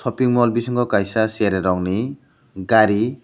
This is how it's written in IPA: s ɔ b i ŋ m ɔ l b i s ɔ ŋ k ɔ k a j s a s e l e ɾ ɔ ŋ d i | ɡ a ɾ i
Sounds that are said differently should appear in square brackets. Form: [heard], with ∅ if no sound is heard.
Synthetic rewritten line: s ɔ [p] i ŋ m ɔ l b i s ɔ ŋ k ɔ k a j s a s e [ɾ] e ɾ ɔ ŋ [n] i | ɡ a ɾ i